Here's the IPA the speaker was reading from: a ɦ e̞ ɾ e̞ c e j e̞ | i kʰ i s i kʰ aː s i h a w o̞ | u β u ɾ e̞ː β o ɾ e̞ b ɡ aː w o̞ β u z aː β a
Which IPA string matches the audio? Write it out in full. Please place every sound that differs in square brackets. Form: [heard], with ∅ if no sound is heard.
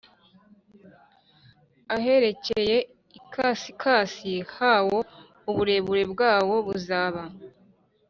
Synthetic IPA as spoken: a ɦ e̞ ɾ e̞ c e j e̞ | i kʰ [a] s i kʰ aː s i h a w o̞ | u β u ɾ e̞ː β [u] ɾ e̞ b ɡ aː w o̞ β u z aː β a